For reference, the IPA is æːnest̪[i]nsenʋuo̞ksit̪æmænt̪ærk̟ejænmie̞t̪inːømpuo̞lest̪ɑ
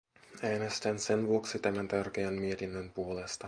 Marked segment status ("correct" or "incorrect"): incorrect